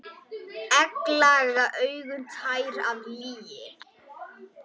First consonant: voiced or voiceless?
voiceless